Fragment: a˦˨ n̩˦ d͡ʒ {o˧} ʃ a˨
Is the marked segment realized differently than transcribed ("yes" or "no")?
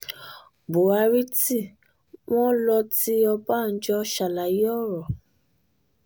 yes